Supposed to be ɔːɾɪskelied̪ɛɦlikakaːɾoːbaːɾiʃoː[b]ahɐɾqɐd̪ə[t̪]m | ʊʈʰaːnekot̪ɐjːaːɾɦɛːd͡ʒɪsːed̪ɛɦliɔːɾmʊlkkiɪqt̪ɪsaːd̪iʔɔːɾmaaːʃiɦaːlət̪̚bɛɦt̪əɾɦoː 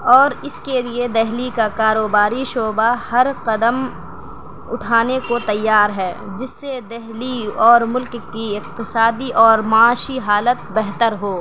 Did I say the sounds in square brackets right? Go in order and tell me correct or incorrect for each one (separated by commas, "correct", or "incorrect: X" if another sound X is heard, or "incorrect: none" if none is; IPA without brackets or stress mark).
correct, incorrect: none